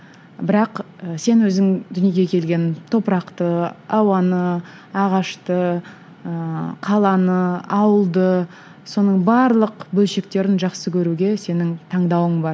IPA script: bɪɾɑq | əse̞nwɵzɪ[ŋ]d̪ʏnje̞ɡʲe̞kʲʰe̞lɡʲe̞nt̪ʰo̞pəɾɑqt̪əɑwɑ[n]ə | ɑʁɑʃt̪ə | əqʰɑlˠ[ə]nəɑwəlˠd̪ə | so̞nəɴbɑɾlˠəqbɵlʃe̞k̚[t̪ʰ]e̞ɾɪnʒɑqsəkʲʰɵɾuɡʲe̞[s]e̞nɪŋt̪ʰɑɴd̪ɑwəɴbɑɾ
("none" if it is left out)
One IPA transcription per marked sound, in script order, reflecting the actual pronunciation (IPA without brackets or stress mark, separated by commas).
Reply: ŋ, n, ɑ, t̪, s